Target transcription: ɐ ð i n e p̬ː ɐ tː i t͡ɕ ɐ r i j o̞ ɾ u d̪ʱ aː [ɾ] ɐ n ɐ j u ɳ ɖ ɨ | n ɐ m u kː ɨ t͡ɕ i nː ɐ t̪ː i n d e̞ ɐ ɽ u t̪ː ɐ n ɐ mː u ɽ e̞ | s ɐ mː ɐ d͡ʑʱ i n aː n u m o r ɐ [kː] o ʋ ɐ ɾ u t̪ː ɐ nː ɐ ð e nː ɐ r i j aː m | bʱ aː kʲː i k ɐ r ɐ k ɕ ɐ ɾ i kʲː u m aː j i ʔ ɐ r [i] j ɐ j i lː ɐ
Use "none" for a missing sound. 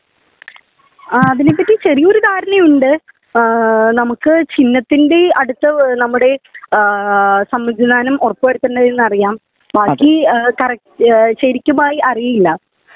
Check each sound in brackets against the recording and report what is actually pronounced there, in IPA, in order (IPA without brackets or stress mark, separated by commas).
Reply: ɾ, pː, i